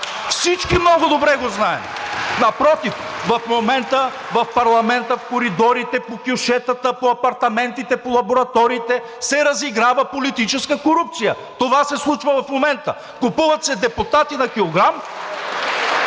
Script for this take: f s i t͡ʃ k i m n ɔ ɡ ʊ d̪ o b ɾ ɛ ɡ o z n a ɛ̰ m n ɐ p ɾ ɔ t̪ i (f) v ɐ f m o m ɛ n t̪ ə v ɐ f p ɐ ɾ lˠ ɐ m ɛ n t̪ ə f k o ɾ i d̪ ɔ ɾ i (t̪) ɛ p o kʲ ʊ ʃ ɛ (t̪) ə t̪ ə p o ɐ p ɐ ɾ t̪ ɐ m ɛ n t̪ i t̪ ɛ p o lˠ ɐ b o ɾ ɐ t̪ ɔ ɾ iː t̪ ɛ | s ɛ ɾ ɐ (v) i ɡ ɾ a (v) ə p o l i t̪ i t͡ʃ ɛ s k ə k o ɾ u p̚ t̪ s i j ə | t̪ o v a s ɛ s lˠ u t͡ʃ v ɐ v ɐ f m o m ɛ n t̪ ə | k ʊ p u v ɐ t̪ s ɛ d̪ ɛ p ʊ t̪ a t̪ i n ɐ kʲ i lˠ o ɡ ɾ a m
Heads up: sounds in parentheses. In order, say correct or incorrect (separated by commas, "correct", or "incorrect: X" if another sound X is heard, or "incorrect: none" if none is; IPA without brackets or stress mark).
correct, correct, correct, incorrect: z, correct